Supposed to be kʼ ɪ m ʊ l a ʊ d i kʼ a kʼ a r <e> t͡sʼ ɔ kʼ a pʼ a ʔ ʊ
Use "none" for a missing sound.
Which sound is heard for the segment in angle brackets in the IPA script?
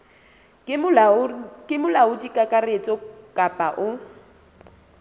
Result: e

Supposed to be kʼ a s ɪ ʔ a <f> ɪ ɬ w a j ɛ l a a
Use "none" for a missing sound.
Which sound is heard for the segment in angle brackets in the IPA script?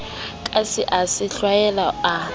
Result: s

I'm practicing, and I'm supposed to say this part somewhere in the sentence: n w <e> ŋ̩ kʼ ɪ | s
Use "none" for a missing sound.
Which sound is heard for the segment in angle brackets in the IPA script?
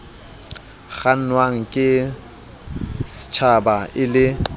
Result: a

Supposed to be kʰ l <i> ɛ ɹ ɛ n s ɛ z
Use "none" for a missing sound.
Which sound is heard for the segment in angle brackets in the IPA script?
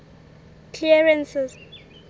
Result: i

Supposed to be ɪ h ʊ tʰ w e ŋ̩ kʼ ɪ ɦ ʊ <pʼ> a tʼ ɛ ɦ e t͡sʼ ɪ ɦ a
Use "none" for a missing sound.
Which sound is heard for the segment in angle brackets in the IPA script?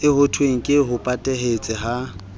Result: pʼ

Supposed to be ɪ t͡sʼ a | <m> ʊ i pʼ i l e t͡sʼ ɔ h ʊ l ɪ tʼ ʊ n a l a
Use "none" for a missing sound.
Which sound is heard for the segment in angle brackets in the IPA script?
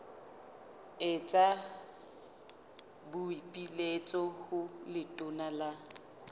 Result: b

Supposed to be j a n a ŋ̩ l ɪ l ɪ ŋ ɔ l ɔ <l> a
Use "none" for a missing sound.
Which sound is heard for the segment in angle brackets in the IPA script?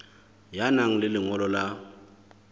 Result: l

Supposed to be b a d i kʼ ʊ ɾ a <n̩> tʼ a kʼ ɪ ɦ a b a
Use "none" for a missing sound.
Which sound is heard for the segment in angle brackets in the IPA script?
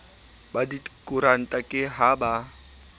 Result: n̩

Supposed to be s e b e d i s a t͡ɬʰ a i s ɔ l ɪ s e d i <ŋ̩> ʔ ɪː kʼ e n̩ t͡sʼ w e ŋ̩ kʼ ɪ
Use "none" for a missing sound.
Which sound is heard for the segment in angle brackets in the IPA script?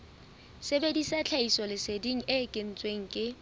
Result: ŋ̩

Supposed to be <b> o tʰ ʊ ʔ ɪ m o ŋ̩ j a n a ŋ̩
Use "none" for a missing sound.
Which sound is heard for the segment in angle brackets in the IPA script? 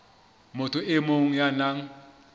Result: m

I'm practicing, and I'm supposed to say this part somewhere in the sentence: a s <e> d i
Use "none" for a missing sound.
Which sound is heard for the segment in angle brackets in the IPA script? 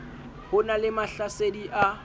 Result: e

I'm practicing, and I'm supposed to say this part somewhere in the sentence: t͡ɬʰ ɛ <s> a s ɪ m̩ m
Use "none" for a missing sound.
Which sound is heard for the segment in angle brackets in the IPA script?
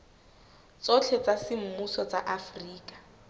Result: t͡s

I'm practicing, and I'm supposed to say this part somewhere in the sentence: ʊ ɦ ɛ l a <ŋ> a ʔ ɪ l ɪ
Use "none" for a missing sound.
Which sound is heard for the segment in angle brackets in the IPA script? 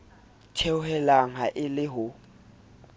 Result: ŋ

